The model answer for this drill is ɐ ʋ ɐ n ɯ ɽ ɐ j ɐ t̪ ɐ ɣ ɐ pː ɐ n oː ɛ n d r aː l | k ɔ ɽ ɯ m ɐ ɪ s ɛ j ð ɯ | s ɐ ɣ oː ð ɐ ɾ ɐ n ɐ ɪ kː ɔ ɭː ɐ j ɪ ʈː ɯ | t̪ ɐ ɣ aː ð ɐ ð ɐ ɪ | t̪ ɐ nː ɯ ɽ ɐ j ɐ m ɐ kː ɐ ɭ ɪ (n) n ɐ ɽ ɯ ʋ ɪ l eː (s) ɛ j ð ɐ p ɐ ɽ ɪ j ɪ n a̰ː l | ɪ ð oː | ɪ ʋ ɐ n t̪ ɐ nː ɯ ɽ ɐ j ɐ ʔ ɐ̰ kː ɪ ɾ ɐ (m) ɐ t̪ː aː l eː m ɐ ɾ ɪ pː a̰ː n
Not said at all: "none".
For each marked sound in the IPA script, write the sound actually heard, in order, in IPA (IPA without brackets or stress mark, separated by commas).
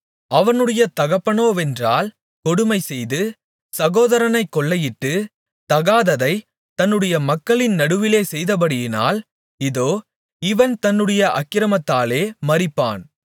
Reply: n, s, m